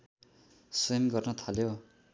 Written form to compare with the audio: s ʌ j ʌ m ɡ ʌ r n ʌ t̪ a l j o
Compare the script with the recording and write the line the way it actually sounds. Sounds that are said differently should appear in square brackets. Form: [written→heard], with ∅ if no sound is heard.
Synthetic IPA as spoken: s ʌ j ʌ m ɡ ʌ r n ʌ [t̪→t̪ʰ] a l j o